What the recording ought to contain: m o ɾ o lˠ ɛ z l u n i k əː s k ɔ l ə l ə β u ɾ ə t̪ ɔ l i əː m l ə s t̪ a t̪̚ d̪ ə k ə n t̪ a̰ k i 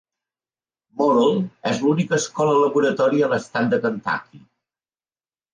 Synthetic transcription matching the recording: m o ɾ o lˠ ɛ z l u n i k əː s k ɔ l ə l ə β u ɾ ə t̪ ɔ ɾ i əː l ə s t̪ a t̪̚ d̪ ə k ə n t̪ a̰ k i